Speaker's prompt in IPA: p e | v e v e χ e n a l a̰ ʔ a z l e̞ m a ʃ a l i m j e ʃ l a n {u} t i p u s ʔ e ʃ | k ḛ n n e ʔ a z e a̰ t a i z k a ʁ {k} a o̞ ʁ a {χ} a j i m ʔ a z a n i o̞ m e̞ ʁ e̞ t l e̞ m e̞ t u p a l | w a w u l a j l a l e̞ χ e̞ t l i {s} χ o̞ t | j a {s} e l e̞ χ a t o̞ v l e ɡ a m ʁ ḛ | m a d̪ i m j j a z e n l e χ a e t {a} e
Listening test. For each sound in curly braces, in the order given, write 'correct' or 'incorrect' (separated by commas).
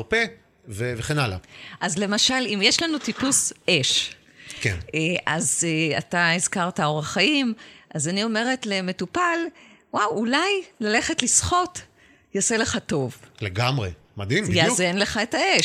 correct, incorrect, correct, correct, correct, correct